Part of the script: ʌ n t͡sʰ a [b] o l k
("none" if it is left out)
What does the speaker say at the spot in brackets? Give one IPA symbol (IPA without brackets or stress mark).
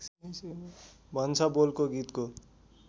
b